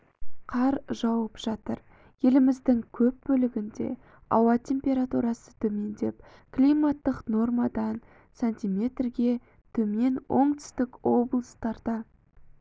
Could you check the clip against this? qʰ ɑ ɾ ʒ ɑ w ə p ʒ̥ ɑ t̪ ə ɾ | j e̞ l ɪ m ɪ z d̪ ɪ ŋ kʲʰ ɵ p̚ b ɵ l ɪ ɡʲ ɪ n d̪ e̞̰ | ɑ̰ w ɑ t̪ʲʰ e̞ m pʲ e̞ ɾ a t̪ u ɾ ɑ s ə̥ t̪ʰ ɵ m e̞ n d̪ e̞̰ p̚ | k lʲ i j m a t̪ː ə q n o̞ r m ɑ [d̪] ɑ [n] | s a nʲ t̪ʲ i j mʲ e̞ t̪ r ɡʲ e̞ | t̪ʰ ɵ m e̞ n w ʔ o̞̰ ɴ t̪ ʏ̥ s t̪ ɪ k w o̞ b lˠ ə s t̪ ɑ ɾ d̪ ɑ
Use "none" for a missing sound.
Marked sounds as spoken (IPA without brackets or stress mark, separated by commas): d̪, n